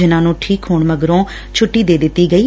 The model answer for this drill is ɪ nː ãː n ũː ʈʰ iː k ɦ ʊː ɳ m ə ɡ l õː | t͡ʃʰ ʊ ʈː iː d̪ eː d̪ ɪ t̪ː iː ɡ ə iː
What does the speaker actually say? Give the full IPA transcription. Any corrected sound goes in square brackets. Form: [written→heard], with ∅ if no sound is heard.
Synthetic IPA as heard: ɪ [nː→n] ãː n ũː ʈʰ iː k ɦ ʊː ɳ m ə ɡ [l→ɾ] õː | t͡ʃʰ ʊ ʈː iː d̪ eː d̪ ɪ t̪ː iː ɡ ə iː